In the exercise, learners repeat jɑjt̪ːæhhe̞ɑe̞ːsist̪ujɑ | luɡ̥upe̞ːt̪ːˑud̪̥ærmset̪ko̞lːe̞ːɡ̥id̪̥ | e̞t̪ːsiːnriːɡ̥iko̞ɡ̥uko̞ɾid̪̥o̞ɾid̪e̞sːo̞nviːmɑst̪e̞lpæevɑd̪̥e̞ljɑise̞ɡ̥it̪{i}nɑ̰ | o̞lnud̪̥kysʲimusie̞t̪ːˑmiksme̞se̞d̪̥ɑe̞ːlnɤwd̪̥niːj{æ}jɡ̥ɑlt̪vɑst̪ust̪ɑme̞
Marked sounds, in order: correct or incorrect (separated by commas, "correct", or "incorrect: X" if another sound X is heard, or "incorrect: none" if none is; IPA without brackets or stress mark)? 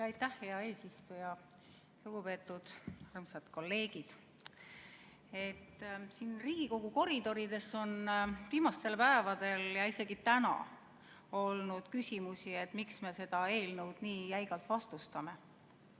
incorrect: æ, correct